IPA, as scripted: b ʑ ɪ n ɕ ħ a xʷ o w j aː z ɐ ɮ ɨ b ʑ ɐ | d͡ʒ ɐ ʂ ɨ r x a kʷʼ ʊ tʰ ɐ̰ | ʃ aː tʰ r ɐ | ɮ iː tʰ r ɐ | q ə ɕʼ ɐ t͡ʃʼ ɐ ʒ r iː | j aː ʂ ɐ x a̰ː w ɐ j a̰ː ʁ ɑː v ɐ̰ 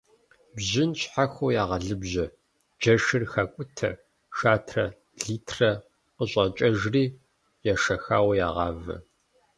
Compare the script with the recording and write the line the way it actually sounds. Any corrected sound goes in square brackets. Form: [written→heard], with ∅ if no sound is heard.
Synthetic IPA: b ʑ ɪ n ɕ ħ a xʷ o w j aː [z→ʁ] ɐ ɮ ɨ b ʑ ɐ | d͡ʒ ɐ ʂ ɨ r x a kʷʼ ʊ tʰ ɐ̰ | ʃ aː tʰ r ɐ | ɮ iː tʰ r ɐ | q ə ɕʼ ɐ t͡ʃʼ ɐ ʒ r iː | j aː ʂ ɐ x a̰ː w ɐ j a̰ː ʁ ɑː v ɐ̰